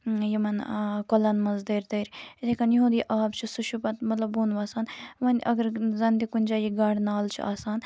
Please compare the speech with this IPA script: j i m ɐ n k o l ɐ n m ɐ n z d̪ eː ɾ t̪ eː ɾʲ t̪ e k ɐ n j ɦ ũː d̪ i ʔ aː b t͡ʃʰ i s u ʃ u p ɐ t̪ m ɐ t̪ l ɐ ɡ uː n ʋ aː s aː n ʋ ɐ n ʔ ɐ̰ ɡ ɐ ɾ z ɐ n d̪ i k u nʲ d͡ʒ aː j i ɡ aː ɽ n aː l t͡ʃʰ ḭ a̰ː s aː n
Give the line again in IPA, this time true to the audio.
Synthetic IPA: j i m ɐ n k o l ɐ n m ɐ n z d̪ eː ɾ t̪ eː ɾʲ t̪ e k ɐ n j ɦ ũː d̪ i ʔ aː b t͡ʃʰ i s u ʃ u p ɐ t̪ m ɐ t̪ l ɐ b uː n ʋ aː s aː n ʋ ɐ n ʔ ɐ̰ ɡ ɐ ɾ z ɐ n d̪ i k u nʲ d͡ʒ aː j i ɡ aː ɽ n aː l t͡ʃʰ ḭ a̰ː s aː n